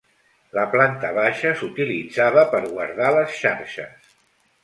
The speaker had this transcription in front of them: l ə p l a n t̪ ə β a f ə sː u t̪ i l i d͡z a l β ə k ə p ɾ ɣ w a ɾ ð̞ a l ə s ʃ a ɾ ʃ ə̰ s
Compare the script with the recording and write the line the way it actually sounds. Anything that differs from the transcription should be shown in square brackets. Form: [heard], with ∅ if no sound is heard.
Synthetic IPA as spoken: l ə p l a n t̪ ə β a [ʃ] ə [s] u t̪ i l i d͡z a [∅] β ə [p] ə [∅] ɾ ɣ w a ɾ ð̞ a l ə s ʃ a ɾ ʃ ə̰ s